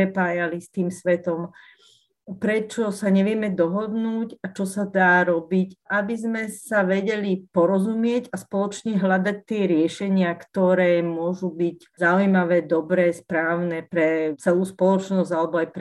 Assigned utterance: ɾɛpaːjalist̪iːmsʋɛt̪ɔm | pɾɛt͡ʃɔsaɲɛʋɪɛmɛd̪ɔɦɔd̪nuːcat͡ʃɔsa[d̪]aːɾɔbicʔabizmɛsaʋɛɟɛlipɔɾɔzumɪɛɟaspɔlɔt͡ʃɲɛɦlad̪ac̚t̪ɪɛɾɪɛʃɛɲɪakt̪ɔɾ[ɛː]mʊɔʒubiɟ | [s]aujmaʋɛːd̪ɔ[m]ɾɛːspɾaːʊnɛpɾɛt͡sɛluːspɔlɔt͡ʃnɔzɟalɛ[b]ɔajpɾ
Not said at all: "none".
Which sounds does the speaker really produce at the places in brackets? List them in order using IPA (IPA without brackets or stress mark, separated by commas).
d̪, ɛː, z, b, b